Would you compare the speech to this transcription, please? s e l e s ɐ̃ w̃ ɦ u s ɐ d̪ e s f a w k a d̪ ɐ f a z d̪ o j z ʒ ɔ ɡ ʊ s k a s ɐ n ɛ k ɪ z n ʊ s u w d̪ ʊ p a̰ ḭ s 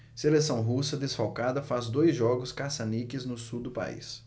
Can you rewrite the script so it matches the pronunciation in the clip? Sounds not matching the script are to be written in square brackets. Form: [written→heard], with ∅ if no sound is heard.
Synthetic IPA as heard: s e l e s ɐ̃ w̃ ɦ u s ɐ d̪ e s f a w k a d̪ ɐ f a z d̪ o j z ʒ ɔ ɡ ʊ s k a s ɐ n [ɛ→i] k ɪ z n ʊ s u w d̪ ʊ p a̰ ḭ s

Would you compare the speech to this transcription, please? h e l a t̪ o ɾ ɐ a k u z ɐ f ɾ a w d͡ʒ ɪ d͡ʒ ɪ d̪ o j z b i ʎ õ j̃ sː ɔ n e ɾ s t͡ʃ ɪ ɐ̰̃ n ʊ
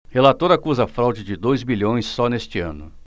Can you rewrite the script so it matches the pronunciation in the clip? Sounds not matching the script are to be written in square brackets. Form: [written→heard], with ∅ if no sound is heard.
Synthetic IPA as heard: h e l a t̪ o ɾ ɐ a k u z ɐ f ɾ a w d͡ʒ ɪ d͡ʒ ɪ d̪ o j z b i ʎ õ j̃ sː ɔ n e [ɾ→∅] s t͡ʃ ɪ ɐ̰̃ n ʊ

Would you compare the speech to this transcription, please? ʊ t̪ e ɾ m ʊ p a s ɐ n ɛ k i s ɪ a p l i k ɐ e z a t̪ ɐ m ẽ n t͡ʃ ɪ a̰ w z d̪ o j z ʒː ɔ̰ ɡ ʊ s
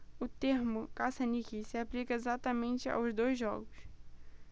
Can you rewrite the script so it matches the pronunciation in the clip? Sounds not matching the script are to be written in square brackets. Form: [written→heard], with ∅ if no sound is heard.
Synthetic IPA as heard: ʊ t̪ e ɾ m ʊ [p→k] a s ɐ n [ɛ→i] k i s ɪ a p l i k ɐ e z a t̪ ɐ m ẽ n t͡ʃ ɪ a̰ w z d̪ o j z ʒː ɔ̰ ɡ ʊ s

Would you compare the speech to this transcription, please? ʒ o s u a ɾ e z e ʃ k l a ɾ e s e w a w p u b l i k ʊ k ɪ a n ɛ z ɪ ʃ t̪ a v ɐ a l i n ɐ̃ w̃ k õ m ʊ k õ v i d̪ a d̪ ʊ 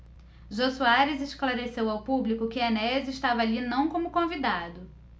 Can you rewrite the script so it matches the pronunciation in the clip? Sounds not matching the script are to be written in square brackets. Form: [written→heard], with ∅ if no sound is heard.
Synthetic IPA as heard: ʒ o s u a ɾ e z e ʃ k l a ɾ e s e w a w p u b l i k ʊ k ɪ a n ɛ z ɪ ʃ t̪ a v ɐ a l i n ɐ̃ w̃ k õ m ʊ k õ v i d̪ a d̪ ʊ

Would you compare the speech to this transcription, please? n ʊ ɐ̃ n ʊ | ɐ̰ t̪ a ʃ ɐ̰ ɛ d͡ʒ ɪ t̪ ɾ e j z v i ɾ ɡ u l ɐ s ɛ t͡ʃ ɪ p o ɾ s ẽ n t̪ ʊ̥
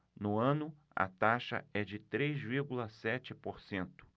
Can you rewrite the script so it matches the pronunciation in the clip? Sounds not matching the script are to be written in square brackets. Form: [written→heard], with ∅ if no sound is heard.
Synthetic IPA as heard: n ʊ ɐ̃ n ʊ | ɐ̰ t̪ a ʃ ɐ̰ ɛ d͡ʒ ɪ t̪ ɾ e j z v i ɾ ɡ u l ɐ s ɛ t͡ʃ ɪ p o ɾ s ẽ n t̪ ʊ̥

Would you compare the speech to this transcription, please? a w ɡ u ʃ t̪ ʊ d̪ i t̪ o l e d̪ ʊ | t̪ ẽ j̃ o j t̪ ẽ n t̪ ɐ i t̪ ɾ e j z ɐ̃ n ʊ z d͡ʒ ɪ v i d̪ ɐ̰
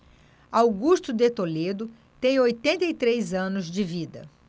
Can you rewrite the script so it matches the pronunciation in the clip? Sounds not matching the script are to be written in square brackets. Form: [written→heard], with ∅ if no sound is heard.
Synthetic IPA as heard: a w ɡ u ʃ t̪ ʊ d̪ [i→e] t̪ o l e d̪ ʊ | t̪ ẽ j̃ o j t̪ ẽ n t̪ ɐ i t̪ ɾ e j z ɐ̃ n ʊ z d͡ʒ ɪ v i d̪ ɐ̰

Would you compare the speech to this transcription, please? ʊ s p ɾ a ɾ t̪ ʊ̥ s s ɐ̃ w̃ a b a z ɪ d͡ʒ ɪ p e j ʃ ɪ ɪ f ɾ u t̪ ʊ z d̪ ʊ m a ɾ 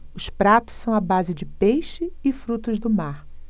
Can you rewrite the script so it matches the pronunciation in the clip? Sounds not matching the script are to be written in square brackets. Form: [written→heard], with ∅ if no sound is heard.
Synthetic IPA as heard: ʊ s p ɾ a [ɾ→∅] t̪ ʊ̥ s s ɐ̃ w̃ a b a z ɪ d͡ʒ ɪ p e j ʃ ɪ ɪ f ɾ u t̪ ʊ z d̪ ʊ m a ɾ

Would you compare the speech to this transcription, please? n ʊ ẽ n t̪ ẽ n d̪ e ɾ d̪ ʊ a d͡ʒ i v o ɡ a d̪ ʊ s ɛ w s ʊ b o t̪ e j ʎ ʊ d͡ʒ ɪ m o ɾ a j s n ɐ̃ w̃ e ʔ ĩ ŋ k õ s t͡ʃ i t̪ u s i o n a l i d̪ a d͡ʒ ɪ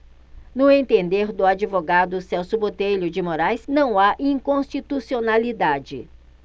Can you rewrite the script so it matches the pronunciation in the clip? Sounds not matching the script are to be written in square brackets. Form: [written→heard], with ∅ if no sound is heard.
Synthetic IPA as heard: n ʊ ẽ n t̪ ẽ n d̪ e ɾ d̪ ʊ a d͡ʒ i v o ɡ a d̪ ʊ s ɛ w s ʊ b o t̪ e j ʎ ʊ d͡ʒ ɪ m o ɾ a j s n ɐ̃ w̃ [e→a] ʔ ĩ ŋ k õ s t͡ʃ i t̪ u s i o n a l i d̪ a d͡ʒ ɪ

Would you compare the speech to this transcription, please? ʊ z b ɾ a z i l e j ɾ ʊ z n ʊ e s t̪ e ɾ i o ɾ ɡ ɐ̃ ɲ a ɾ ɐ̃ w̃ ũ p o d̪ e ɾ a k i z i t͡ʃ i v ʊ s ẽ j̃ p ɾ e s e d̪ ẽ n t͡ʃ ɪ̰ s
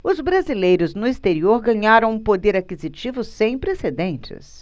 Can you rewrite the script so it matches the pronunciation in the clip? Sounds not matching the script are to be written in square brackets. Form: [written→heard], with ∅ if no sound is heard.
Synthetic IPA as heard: ʊ z b ɾ a z i l e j ɾ ʊ z n ʊ [e→i] s t̪ e ɾ i o ɾ ɡ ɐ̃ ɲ a ɾ ɐ̃ w̃ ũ p o d̪ e ɾ a k i z i t͡ʃ i v ʊ s ẽ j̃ p ɾ e s e d̪ ẽ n t͡ʃ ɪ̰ s

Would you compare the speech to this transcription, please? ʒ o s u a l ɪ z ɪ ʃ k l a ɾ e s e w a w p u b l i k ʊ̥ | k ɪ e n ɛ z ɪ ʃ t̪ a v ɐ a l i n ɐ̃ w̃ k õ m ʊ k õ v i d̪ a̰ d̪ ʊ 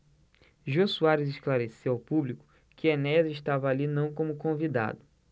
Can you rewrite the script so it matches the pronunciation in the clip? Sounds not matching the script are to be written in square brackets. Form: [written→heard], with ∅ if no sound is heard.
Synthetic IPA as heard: ʒ o s u a [l→ɾ] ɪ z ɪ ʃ k l a ɾ e s e w a w p u b l i k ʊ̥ | k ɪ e n ɛ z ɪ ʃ t̪ a v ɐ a l i n ɐ̃ w̃ k õ m ʊ k õ v i d̪ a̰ d̪ ʊ

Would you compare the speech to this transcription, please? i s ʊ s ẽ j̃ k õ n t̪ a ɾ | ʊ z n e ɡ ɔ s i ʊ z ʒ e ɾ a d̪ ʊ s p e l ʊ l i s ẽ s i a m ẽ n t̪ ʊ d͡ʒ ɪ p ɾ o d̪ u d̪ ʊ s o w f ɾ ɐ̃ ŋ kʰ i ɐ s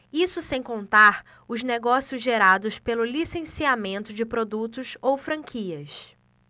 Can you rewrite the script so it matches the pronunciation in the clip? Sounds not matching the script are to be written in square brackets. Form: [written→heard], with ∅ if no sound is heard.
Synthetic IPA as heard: i s ʊ s ẽ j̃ k õ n t̪ a ɾ | ʊ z n e ɡ ɔ s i ʊ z ʒ e ɾ a d̪ ʊ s p e l ʊ l i s ẽ s i a m ẽ n t̪ ʊ d͡ʒ ɪ p ɾ o d̪ u [d̪→t̪] ʊ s o w f ɾ ɐ̃ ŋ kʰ i ɐ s

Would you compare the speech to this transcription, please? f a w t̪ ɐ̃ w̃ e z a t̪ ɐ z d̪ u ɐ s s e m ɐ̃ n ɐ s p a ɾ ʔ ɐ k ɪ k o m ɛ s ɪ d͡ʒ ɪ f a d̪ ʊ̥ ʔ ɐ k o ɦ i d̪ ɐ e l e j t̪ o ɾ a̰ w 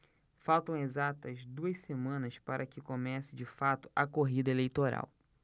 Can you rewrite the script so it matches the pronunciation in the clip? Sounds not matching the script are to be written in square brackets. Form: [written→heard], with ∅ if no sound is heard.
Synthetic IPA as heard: f a w t̪ ɐ̃ w̃ e z a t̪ ɐ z d̪ u ɐ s s e m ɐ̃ n ɐ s p a ɾ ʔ ɐ k ɪ k o m ɛ s ɪ d͡ʒ ɪ f a [d̪→t̪] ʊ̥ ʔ ɐ k o ɦ i d̪ ɐ e l e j t̪ o ɾ a̰ w

